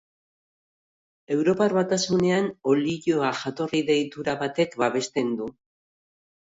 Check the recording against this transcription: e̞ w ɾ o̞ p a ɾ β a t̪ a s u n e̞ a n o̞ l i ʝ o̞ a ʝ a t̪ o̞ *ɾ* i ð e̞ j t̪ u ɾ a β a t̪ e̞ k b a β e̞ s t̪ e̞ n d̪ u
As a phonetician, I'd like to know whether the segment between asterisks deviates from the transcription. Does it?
yes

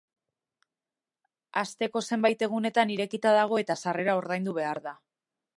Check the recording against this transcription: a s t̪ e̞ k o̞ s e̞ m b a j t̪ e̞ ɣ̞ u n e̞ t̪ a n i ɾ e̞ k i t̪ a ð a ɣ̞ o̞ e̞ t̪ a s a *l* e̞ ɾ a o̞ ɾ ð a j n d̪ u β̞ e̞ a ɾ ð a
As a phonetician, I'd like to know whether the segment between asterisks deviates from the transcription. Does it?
yes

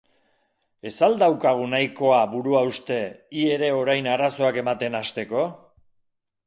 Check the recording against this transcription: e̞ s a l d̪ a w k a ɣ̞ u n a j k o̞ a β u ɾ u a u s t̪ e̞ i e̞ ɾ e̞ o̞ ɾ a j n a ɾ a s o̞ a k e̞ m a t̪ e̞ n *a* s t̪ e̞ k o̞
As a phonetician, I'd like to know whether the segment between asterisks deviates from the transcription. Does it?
no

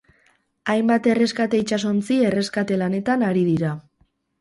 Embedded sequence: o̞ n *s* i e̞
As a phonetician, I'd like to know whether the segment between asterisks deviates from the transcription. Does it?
yes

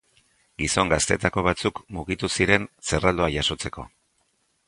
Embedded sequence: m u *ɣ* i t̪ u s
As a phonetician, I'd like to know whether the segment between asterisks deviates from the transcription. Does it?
no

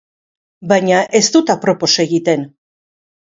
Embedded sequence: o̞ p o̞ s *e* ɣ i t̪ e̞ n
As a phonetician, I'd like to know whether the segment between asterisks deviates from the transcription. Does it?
no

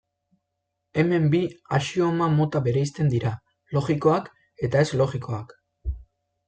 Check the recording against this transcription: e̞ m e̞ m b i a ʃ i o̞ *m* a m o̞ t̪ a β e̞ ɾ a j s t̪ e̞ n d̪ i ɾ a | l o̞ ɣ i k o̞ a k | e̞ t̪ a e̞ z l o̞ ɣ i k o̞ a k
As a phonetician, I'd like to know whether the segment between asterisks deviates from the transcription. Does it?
no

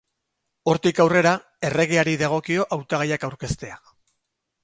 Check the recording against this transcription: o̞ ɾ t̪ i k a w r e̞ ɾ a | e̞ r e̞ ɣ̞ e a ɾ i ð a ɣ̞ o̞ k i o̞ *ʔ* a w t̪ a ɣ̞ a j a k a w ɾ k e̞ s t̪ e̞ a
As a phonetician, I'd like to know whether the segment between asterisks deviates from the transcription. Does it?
no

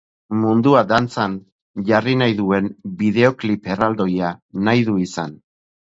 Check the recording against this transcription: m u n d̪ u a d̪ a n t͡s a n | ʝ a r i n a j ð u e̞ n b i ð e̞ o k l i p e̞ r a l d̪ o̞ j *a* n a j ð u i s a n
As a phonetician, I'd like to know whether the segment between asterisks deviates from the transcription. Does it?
no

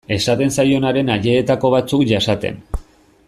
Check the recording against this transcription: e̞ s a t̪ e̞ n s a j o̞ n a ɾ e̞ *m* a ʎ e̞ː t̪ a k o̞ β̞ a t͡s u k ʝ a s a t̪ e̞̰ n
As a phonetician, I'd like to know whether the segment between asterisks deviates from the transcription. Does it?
yes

